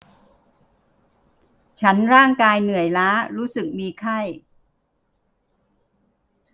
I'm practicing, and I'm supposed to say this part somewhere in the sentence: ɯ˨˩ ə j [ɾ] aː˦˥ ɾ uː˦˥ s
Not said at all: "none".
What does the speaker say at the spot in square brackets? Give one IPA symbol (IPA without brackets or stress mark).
l